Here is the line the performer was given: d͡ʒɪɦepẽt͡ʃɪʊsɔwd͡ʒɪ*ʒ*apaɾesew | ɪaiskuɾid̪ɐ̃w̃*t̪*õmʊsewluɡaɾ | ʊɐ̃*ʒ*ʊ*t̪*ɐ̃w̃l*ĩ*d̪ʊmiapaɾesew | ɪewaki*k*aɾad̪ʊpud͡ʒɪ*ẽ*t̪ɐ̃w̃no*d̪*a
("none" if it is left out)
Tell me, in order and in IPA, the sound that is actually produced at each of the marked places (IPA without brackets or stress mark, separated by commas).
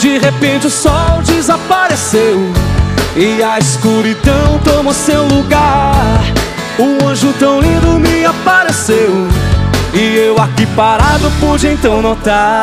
z, t̪, ʒ, t̪, ĩ, p, ẽ, t̪